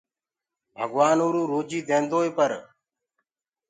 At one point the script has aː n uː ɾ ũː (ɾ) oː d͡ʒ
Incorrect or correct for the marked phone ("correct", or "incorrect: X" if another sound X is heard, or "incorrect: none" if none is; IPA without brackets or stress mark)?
correct